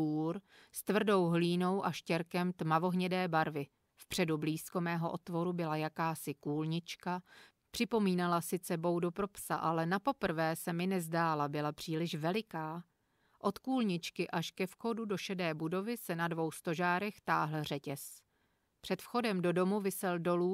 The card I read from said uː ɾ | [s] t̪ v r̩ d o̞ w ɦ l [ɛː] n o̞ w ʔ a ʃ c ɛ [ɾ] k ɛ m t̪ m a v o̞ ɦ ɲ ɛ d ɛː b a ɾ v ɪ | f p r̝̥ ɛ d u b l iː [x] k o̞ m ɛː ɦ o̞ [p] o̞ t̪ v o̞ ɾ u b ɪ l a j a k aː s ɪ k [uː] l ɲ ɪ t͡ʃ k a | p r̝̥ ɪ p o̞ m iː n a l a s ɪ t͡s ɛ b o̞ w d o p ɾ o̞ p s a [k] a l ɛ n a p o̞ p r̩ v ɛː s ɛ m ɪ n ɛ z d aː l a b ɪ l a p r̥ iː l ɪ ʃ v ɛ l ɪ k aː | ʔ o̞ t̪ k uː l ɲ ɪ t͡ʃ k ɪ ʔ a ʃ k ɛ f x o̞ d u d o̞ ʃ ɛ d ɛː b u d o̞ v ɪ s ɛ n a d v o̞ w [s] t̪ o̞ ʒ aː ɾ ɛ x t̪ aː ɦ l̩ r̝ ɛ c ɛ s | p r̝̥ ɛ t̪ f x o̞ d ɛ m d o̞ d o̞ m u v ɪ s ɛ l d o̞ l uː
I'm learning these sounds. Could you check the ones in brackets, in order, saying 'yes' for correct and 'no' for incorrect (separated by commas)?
yes, no, yes, no, no, yes, no, yes